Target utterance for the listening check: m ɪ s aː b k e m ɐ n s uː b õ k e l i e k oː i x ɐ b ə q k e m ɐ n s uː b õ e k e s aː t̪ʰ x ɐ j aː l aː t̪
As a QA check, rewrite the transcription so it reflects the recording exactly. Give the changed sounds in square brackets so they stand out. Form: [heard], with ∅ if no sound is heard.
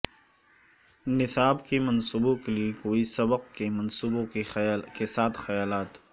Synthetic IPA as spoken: [n] ɪ s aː b k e m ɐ n s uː b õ k e l i e k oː i [s] ɐ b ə q k e m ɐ n s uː b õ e k e s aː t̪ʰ x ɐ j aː l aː t̪

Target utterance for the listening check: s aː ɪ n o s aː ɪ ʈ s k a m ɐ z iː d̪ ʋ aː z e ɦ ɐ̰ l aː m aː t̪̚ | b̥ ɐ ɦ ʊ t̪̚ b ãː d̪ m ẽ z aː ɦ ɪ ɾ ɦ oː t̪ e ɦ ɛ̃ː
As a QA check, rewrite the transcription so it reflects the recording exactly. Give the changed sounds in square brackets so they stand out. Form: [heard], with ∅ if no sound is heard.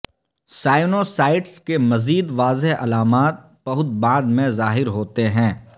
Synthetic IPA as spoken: s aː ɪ n o s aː ɪ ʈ s k [e] m ɐ z iː d̪ ʋ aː z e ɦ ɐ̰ l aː m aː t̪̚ | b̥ ɐ ɦ ʊ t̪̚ b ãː d̪ m ẽ z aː ɦ ɪ ɾ ɦ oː t̪ e ɦ ɛ̃ː

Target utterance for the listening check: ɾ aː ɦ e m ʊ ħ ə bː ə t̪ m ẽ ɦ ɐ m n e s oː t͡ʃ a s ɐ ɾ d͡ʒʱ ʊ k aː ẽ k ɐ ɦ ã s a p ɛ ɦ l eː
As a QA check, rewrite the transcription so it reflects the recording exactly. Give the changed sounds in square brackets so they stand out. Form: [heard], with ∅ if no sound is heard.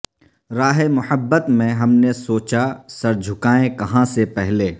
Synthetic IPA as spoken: ɾ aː ɦ e m ʊ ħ ə bː ə t̪ m ẽ ɦ ɐ m n e s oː t͡ʃ a s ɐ ɾ d͡ʒʱ ʊ k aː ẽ k ɐ ɦ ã s [e] p ɛ ɦ l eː

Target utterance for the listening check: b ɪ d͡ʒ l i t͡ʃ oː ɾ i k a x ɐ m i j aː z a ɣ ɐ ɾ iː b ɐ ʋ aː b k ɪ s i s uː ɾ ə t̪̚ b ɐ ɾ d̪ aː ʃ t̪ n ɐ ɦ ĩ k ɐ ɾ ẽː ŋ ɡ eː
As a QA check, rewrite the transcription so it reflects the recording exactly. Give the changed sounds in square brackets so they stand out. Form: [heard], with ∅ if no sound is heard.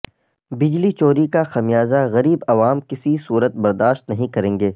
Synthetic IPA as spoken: b ɪ d͡ʒ l i t͡ʃ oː ɾ i k a x ɐ m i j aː z a ɣ ɐ ɾ iː b ɐ ʋ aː [m] k ɪ s i s uː ɾ ə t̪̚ b ɐ ɾ d̪ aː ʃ t̪ n ɐ ɦ ĩ k ɐ ɾ ẽː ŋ ɡ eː

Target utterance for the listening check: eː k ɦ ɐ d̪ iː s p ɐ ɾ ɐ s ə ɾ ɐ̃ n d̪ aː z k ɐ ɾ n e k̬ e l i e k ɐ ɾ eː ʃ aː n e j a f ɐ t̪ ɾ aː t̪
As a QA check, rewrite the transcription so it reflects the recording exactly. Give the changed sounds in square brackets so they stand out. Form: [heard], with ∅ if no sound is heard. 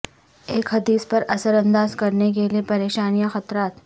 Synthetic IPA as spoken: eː k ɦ ɐ d̪ iː s p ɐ ɾ ɐ s ə ɾ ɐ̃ n d̪ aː z k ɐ ɾ n e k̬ e l i e [p] ɐ ɾ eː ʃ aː n [i] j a [x] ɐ t̪ ɾ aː t̪

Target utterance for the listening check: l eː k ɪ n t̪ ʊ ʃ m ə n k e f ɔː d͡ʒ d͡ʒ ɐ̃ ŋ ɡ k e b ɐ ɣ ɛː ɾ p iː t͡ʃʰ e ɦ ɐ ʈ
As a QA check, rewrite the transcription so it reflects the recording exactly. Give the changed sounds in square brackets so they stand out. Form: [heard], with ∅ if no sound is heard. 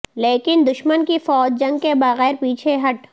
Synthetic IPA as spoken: l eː k ɪ n [d̪] ʊ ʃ m ə n k [i] f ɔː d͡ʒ d͡ʒ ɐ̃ ŋ ɡ k e b ɐ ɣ ɛː ɾ p iː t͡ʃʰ e ɦ ɐ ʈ

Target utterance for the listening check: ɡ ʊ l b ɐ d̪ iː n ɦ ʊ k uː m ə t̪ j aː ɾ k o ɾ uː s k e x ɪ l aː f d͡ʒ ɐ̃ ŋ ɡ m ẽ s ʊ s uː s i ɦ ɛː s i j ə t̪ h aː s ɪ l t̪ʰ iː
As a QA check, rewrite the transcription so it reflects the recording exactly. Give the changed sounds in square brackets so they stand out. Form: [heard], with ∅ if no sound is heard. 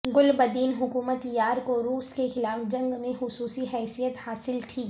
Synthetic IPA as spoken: ɡ ʊ l b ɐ d̪ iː n ɦ ʊ k uː m ə t̪ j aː ɾ k o ɾ uː s k e x ɪ l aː f d͡ʒ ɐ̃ ŋ ɡ m ẽ [x] ʊ s uː s i ɦ ɛː s i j ə t̪ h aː s ɪ l t̪ʰ iː

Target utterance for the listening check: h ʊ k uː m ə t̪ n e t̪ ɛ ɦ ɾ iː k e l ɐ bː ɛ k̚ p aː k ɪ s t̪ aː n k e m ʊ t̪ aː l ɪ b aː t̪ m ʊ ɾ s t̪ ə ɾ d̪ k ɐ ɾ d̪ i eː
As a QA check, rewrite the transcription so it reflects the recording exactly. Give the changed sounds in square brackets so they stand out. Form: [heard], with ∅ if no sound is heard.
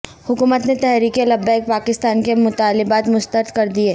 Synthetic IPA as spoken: h ʊ k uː m ə t̪ n e t̪ ɛ ɦ ɾ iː k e l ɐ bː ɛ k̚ p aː k ɪ s t̪ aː n k e m ʊ t̪ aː l ɪ b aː t̪ m ʊ [∅] s t̪ ə ɾ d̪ k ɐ ɾ d̪ i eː

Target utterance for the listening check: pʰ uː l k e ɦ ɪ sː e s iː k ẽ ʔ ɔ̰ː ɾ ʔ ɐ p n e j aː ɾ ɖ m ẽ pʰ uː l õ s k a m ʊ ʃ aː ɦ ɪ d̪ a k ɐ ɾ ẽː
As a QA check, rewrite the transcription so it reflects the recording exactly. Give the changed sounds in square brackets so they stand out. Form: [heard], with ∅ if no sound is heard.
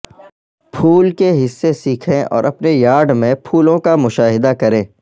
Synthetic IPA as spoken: pʰ uː l k e ɦ ɪ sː e s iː [kʰ] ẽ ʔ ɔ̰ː ɾ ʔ ɐ p n e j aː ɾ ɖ m ẽ pʰ uː l õ [∅] k a m ʊ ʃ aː ɦ ɪ d̪ a k ɐ ɾ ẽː

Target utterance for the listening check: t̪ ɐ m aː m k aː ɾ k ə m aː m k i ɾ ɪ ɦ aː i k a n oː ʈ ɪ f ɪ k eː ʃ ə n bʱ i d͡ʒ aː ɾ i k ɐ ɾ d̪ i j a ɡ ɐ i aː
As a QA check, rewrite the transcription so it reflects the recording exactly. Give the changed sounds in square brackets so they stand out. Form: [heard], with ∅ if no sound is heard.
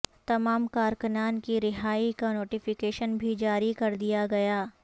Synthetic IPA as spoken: t̪ ɐ m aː m k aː ɾ k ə [n] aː [n] k i ɾ ɪ ɦ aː i k a n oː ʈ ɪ f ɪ k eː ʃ ə n bʱ i d͡ʒ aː ɾ i k ɐ ɾ d̪ i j a ɡ ɐ [j] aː

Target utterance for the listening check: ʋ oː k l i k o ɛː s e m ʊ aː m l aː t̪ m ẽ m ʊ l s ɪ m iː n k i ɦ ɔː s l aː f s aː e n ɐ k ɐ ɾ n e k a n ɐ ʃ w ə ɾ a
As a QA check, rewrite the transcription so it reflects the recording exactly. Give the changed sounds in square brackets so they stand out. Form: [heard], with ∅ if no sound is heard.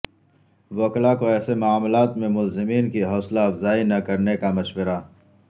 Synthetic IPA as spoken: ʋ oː k l [a] k o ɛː s e m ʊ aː m l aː t̪ m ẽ m ʊ l [z] ɪ m iː n k i ɦ ɔː s l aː f [z] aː [i] n ɐ k ɐ ɾ n e k a [m] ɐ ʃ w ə ɾ a

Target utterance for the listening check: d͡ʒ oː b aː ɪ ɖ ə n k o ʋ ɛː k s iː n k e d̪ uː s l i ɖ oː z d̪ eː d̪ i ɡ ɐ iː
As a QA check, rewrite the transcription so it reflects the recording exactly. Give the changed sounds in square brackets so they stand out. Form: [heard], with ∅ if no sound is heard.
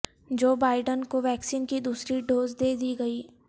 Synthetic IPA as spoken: d͡ʒ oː b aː ɪ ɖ ə n k o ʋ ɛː k s iː n k [i] d̪ uː s [ɾ] i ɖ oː z d̪ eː d̪ i ɡ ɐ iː

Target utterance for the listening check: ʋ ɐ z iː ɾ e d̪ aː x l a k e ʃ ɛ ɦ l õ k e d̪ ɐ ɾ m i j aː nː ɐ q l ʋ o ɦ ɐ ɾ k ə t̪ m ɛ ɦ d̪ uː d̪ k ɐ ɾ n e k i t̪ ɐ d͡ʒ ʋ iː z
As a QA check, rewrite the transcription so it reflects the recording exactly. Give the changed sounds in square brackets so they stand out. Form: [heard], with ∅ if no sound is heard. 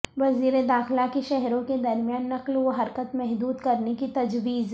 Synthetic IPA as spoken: ʋ ɐ z iː ɾ e d̪ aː x l a k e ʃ ɛ ɦ [ɾ] õ k e d̪ ɐ ɾ m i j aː nː ɐ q l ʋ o ɦ ɐ ɾ k ə t̪ m ɛ ɦ d̪ uː d̪ k ɐ ɾ n e k i t̪ ɐ d͡ʒ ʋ iː z

